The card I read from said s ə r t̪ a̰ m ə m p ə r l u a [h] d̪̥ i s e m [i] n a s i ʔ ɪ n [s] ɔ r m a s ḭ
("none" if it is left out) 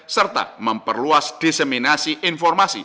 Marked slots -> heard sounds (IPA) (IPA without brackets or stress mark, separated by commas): s, i, f